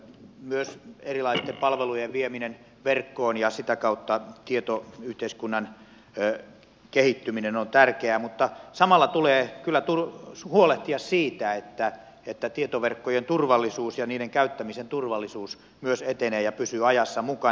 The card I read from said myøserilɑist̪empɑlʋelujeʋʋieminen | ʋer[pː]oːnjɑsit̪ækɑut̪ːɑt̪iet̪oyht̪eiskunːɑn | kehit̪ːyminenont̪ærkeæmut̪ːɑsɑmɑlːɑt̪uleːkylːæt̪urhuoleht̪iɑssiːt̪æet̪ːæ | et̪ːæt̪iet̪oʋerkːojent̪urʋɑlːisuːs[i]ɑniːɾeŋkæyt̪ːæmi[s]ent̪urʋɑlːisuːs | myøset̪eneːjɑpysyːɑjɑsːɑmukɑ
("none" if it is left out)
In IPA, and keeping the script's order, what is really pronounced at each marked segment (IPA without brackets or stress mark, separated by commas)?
kː, j, s